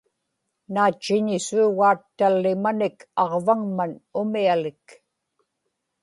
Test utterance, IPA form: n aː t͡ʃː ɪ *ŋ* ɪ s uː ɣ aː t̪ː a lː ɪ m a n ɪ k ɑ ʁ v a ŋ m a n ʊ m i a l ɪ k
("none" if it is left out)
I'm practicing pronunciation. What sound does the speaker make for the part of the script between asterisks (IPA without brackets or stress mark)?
ɲ